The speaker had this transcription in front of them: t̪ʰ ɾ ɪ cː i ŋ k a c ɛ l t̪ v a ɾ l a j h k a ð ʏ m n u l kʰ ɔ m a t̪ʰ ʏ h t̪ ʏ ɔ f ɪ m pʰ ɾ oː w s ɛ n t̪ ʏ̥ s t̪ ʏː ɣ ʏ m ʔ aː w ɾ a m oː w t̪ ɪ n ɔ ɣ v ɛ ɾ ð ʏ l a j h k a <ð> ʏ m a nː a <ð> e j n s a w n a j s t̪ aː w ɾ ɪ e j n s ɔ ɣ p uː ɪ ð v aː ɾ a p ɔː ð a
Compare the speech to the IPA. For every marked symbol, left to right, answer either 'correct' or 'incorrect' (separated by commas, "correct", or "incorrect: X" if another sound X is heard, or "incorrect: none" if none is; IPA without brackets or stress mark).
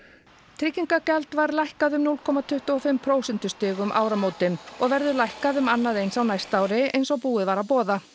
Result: correct, correct